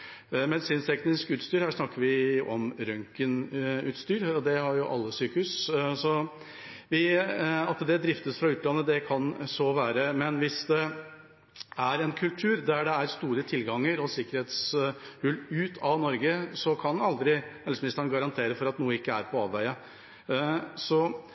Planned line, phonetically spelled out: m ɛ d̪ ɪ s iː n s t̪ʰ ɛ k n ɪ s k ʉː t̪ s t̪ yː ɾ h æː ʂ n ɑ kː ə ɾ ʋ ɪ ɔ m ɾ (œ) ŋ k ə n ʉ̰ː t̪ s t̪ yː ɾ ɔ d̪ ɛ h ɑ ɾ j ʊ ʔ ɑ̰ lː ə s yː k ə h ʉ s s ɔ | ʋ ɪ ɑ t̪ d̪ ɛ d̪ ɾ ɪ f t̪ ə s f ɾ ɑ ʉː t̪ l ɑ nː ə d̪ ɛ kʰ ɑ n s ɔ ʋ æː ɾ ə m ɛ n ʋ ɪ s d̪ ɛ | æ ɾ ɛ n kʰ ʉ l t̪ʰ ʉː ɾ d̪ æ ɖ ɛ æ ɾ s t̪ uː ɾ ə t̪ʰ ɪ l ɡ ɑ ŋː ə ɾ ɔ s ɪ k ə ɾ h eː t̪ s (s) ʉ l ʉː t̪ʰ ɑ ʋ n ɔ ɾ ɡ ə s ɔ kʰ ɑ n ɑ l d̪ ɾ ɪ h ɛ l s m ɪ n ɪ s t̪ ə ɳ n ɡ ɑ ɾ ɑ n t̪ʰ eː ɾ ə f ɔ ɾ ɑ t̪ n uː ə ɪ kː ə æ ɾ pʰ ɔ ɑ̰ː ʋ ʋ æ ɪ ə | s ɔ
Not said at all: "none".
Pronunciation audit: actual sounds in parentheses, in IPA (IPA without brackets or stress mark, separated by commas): œ, h